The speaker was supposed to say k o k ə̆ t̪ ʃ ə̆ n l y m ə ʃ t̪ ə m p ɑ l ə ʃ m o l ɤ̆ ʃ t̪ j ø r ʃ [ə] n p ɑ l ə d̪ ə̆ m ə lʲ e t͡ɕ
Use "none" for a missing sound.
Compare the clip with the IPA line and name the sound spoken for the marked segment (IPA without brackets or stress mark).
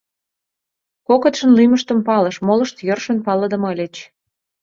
ə